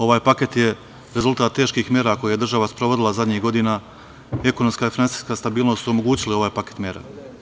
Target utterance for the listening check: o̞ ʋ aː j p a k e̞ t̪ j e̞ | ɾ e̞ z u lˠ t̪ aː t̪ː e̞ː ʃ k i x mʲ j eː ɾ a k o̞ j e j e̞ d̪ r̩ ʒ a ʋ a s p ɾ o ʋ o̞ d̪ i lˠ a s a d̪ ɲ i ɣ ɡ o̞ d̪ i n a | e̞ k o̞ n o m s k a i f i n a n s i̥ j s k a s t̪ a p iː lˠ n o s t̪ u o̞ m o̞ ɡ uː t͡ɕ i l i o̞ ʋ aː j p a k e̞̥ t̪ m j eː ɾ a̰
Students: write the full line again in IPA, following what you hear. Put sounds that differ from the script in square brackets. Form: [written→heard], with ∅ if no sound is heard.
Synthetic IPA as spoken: o̞ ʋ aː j p a k e̞ t̪ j e̞ | ɾ e̞ z u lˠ t̪ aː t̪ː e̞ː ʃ k i x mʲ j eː ɾ a k o̞ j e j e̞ d̪ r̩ ʒ a ʋ a s p ɾ o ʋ o̞ d̪ i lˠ a [s→z] a d̪ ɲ i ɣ ɡ o̞ d̪ i n a | e̞ k o̞ n o m s k a i f i n a n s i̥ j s k a s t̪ a [p→b] iː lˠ n o s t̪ u o̞ m o̞ ɡ uː t͡ɕ i l i o̞ ʋ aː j p a k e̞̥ t̪ m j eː ɾ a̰

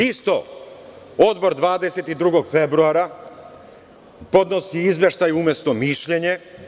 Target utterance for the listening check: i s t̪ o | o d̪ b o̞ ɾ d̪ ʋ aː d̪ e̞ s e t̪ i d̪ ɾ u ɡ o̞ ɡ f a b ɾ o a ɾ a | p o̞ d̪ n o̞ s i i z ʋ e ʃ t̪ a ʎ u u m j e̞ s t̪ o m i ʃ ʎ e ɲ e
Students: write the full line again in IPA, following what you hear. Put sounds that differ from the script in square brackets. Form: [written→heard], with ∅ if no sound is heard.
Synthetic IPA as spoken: i s t̪ o | o d̪ b o̞ ɾ d̪ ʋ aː d̪ e̞ s e t̪ i d̪ ɾ u ɡ o̞ ɡ f [a→e] b ɾ [o→u] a ɾ a | p o̞ d̪ n o̞ s i i z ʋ e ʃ t̪ a [ʎ→j] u u m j e̞ s t̪ o m i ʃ ʎ e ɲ e

